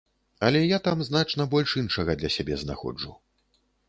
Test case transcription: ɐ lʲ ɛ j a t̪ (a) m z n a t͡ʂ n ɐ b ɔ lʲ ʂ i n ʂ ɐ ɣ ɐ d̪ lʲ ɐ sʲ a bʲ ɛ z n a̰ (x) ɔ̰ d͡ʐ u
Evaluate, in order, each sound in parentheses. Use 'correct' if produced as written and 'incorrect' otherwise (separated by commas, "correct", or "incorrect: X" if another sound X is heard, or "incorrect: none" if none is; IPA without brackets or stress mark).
correct, correct